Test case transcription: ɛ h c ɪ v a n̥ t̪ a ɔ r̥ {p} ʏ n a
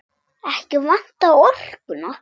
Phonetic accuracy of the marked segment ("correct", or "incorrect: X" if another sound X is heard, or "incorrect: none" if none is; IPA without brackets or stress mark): incorrect: k